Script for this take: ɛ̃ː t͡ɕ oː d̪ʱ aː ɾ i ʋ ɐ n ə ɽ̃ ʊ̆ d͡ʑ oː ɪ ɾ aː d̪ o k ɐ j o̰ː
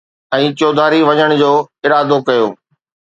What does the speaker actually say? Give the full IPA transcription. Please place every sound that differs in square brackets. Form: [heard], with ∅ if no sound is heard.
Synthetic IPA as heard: ɛ̃ː t͡ɕ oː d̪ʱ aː ɾ i ʋ ɐ [ɲ] ə ɽ̃ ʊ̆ d͡ʑ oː ɪ ɾ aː d̪ o k ɐ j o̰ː